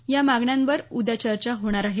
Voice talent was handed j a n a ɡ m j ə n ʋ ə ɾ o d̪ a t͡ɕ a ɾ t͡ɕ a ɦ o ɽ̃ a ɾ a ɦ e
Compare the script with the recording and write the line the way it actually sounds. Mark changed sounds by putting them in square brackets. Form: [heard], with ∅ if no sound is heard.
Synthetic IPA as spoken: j a [m] a ɡ [ɳ] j [a] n ʋ ə ɾ [u] d̪ a t͡ɕ [ə] ɾ t͡ɕ a ɦ o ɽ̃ a ɾ a ɦ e